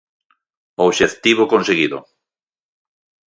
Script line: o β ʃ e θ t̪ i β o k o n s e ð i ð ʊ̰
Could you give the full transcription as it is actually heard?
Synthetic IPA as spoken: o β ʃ e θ t̪ i β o k o n s e ɣ i ð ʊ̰